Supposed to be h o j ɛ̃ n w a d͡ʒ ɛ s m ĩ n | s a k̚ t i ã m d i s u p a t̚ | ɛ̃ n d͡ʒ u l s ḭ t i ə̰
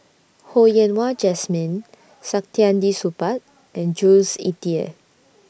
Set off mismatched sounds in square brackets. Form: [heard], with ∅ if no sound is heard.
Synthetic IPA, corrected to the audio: h o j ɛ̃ n w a d͡ʒ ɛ s m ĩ n | s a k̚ t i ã [n] d i s u p a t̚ | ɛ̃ n d͡ʒ u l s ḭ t i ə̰